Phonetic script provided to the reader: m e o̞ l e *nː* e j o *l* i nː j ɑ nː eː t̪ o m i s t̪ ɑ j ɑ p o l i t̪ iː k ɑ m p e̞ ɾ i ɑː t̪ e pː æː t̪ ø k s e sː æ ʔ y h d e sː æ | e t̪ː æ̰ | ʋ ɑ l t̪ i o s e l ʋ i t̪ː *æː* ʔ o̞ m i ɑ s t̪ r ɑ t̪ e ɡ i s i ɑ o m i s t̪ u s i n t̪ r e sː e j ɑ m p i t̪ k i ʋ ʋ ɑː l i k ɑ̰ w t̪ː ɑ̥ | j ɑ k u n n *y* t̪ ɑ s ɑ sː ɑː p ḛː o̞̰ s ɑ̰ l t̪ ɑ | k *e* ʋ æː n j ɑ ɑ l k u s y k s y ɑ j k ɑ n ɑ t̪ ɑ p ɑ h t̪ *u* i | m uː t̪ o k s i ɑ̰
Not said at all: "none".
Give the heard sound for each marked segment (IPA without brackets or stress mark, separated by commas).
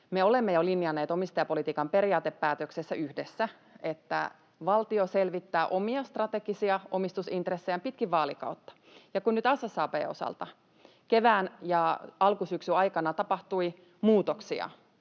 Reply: mː, l, æː, y, e, u